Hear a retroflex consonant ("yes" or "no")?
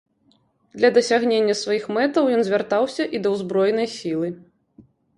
no